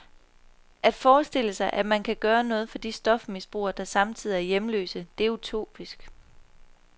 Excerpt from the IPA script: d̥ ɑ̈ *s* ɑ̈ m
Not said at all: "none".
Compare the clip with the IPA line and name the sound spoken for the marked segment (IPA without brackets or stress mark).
s